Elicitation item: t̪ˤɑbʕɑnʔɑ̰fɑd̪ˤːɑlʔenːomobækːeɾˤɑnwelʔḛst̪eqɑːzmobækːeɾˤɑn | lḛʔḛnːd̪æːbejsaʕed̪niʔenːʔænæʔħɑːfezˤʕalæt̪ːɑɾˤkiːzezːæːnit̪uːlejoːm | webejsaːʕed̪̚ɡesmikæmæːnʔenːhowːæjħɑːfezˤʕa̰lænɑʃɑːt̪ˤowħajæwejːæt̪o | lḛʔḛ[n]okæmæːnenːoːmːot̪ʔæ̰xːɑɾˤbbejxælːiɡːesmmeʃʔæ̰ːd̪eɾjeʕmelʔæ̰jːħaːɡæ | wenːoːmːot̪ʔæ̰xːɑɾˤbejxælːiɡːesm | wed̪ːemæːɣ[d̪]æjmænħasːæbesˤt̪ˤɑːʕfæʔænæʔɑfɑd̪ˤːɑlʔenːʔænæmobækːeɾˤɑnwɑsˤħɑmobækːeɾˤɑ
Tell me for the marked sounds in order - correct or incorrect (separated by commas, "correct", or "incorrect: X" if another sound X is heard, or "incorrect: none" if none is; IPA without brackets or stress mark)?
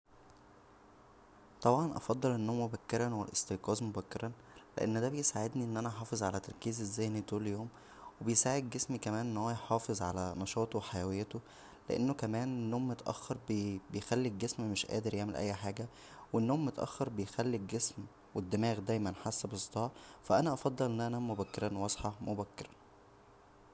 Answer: incorrect: nː, correct